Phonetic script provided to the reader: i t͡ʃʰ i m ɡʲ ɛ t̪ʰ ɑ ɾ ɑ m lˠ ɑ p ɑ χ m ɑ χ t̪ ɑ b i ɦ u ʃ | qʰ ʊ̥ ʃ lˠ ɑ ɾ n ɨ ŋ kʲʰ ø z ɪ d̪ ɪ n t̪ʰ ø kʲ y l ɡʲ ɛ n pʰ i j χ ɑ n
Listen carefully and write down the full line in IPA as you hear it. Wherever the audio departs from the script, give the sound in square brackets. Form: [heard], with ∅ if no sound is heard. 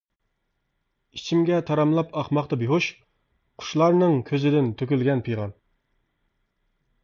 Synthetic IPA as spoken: i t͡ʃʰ i m ɡʲ ɛ t̪ʰ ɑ ɾ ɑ m lˠ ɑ p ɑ χ m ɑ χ t̪ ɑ b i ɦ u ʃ | qʰ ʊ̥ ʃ lˠ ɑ ɾ n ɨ ŋ kʲʰ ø z ɪ d̪ ɪ n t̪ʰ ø kʲ y l ɡʲ ɛ n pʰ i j [ʁ] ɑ n